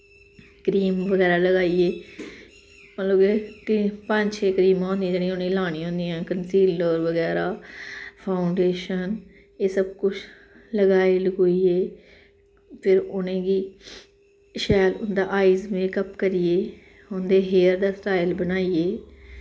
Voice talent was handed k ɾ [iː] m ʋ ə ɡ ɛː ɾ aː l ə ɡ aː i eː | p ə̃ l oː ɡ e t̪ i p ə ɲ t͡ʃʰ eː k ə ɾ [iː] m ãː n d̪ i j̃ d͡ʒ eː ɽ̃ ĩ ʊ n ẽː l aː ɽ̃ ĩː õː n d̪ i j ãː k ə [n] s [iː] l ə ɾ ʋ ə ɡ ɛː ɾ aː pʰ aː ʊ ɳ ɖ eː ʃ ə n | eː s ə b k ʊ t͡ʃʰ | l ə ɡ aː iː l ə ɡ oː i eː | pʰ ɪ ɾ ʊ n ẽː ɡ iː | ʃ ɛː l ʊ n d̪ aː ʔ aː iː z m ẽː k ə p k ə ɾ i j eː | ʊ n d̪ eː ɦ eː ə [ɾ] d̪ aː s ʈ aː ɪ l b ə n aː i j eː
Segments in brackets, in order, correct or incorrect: correct, correct, correct, correct, correct

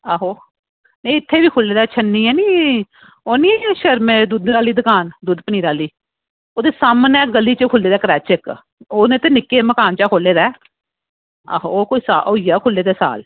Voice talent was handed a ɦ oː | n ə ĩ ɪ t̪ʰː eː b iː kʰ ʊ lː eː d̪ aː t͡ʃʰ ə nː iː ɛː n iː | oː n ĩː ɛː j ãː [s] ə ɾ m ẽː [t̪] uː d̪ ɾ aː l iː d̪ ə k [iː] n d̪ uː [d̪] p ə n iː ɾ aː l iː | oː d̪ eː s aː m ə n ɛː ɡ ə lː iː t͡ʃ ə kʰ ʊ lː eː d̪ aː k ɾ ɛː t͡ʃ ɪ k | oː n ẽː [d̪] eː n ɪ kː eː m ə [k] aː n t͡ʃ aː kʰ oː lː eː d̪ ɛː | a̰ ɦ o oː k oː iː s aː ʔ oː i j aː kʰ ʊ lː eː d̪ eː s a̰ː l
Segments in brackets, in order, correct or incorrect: incorrect: ʃ, incorrect: d̪, incorrect: aː, correct, incorrect: t̪, correct

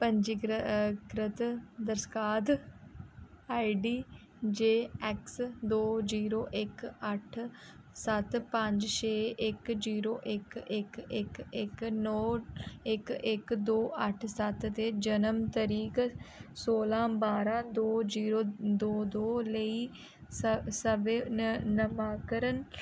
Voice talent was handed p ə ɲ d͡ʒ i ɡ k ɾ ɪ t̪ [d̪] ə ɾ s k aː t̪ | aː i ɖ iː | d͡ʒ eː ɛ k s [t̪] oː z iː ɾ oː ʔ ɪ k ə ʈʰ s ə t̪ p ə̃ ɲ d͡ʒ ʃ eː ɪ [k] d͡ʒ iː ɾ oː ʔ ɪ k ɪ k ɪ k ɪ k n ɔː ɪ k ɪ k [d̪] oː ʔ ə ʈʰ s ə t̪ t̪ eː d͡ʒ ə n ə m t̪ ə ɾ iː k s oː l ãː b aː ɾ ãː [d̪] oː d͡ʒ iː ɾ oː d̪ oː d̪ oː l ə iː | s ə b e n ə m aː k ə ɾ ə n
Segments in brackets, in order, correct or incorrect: correct, incorrect: d̪, correct, correct, correct

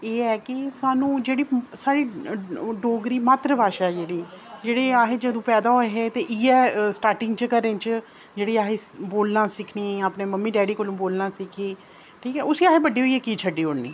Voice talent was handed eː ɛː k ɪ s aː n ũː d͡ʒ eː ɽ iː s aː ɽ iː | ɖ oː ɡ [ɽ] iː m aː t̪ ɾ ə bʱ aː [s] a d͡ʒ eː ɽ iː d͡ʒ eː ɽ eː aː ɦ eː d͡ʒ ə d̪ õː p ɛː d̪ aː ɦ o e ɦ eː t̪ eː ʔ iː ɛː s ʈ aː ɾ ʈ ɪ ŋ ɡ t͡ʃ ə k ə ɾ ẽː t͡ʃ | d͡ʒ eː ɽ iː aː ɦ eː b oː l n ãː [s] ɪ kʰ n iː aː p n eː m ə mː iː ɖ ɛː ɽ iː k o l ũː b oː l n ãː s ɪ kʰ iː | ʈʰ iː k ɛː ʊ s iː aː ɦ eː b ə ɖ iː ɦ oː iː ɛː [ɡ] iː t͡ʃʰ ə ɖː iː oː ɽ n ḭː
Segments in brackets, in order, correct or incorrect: incorrect: ɾ, incorrect: ʃ, correct, incorrect: k

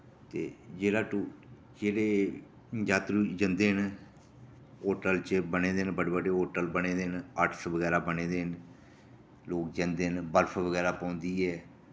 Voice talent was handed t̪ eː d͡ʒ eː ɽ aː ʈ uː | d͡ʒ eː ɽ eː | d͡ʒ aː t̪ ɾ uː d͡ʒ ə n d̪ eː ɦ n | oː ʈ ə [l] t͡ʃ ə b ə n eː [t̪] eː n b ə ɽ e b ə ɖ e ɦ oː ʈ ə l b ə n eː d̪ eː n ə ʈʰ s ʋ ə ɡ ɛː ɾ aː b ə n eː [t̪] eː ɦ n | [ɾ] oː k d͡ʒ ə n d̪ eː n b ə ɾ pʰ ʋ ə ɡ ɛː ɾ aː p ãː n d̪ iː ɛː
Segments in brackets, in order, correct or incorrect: correct, incorrect: d̪, incorrect: d̪, incorrect: l

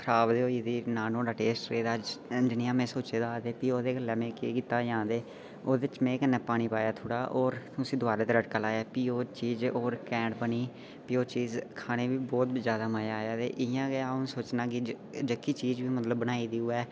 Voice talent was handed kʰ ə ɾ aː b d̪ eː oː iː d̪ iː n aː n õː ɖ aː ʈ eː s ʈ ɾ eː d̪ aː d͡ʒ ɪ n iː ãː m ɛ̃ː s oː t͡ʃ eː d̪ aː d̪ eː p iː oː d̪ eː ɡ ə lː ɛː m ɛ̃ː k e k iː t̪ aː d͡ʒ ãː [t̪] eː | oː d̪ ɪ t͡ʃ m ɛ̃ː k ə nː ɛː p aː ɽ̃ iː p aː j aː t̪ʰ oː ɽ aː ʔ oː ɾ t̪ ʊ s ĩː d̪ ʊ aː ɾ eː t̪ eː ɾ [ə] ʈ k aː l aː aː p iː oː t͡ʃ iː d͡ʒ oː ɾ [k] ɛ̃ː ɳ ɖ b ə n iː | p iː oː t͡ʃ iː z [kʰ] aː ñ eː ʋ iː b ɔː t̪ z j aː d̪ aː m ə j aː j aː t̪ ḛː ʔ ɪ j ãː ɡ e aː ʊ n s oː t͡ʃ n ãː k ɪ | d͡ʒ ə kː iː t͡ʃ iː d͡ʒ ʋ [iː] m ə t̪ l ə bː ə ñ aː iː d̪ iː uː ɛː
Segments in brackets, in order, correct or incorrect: incorrect: d̪, correct, correct, correct, correct

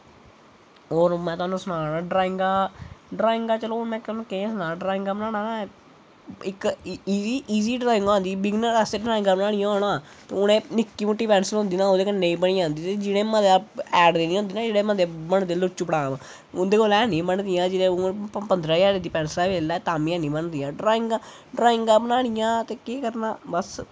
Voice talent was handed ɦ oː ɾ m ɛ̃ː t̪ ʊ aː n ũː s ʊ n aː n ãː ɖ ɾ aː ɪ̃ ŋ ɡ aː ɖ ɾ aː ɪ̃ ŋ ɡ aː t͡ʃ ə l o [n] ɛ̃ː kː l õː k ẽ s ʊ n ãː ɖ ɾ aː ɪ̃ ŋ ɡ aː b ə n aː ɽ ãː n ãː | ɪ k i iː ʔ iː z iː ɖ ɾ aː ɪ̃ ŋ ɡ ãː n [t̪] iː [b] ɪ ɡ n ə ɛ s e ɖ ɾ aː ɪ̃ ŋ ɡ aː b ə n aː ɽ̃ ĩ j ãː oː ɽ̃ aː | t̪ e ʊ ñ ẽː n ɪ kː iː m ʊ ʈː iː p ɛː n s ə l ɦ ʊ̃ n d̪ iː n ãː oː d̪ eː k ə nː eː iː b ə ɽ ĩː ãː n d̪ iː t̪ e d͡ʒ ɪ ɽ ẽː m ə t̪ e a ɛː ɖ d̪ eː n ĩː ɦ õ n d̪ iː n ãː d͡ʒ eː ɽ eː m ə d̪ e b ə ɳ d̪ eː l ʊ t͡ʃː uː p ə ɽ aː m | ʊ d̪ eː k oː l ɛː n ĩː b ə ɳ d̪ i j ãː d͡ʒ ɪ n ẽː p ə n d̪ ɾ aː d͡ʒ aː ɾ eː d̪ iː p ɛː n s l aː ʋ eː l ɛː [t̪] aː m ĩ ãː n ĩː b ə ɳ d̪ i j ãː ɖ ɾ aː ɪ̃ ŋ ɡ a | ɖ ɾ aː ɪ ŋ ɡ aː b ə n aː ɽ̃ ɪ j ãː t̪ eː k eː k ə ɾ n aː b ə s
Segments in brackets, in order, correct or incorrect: incorrect: m, incorrect: d̪, correct, correct

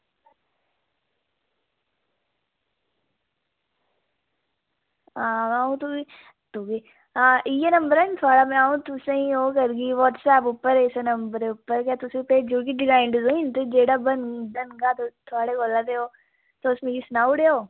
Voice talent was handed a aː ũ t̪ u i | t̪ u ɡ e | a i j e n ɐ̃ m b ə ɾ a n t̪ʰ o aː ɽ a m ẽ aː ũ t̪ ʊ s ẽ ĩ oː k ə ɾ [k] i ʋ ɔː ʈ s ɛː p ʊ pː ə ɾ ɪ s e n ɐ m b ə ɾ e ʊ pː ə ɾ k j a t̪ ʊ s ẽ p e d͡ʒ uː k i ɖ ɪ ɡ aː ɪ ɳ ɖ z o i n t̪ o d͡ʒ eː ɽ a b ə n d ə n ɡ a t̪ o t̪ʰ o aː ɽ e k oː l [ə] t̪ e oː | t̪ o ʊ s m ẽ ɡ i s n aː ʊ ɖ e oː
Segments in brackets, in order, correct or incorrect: incorrect: ɡ, incorrect: a

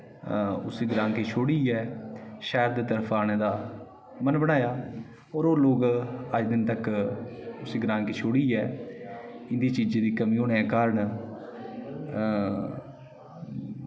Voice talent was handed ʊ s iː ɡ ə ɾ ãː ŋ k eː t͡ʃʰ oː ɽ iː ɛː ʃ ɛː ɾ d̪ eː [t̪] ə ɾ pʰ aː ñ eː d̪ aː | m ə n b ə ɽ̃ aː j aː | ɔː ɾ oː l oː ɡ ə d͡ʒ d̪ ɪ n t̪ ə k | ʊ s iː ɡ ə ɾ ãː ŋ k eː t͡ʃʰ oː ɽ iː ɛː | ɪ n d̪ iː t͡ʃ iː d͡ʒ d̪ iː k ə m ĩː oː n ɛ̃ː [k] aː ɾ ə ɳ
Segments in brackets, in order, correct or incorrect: correct, correct

